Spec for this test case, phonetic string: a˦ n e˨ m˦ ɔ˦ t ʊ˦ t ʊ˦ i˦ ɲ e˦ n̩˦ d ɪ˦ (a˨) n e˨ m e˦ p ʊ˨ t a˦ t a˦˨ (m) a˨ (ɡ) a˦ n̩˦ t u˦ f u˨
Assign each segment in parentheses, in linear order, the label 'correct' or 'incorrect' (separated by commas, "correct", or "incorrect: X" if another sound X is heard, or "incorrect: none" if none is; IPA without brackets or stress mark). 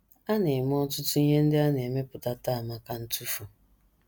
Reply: incorrect: a˦, correct, incorrect: k